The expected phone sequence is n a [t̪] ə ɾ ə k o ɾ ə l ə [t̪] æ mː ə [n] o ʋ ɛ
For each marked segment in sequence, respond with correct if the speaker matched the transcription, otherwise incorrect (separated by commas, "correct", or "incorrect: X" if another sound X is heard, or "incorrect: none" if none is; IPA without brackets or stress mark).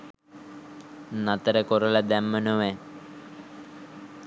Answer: correct, incorrect: d̪, correct